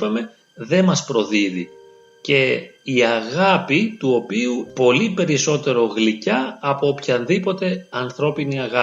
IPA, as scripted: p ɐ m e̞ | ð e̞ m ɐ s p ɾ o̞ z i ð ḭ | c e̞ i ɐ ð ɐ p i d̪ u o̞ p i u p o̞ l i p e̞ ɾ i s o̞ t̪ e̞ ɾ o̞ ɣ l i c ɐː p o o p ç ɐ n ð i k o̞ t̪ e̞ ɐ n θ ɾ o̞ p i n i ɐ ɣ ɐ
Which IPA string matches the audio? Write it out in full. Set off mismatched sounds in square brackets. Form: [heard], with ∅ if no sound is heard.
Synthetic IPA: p ɐ m e̞ | ð e̞ m ɐ s p ɾ o̞ [ð] i ð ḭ | c e̞ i ɐ [ɣ] ɐ p i [t̪] u o̞ p i u p o̞ l i p e̞ ɾ i s o̞ t̪ e̞ ɾ o̞ ɣ l i c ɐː p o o p ç ɐ n ð i [p] o̞ t̪ e̞ ɐ n θ ɾ o̞ p i n i ɐ ɣ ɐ